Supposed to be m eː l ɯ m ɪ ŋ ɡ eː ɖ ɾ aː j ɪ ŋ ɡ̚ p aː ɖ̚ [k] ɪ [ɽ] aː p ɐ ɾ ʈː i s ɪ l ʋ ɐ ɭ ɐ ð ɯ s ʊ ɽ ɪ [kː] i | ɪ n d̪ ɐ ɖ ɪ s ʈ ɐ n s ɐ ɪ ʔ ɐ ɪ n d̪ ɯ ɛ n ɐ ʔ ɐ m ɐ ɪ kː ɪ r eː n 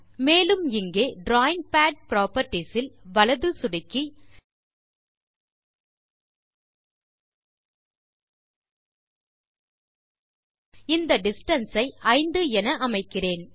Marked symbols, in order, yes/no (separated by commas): no, no, yes